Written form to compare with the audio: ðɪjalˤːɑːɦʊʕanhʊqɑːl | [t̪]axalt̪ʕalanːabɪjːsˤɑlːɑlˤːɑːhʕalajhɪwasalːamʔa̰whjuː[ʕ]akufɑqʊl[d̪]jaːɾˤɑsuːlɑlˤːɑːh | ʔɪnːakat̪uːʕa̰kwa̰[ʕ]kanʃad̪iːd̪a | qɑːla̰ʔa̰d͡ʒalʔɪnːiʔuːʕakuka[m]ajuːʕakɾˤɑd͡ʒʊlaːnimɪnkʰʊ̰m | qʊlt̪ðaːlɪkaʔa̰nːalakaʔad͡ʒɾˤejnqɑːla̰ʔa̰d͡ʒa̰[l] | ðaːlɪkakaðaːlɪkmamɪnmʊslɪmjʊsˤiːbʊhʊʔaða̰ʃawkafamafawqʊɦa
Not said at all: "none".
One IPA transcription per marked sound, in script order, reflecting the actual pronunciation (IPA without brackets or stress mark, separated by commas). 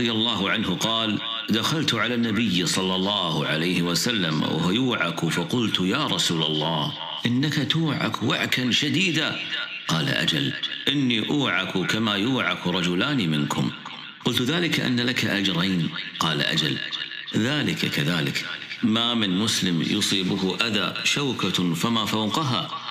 d̪, ʕ, t̪, ʕ, m, l